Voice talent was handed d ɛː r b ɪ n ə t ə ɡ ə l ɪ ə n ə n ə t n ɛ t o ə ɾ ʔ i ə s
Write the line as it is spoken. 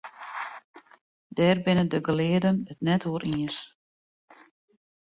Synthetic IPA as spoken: d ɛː r b ɪ n ə d ə ɡ ə l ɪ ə d ə n ə t n ɛ t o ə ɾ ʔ i ə s